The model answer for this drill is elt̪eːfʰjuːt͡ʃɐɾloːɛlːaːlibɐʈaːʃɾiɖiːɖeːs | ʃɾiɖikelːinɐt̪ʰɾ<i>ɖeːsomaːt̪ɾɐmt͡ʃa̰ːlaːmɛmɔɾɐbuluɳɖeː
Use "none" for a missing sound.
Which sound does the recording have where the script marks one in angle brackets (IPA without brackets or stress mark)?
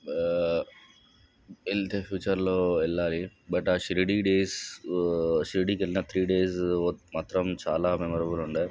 iː